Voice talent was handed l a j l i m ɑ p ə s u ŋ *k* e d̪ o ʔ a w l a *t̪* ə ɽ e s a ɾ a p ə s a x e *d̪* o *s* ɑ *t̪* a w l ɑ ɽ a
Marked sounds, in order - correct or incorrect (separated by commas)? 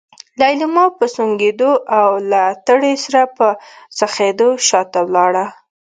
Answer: incorrect, correct, correct, incorrect, correct